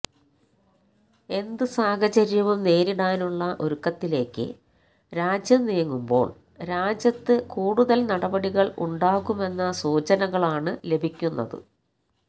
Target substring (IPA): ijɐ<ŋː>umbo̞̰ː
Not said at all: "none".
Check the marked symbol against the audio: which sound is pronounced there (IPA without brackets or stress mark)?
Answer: ŋː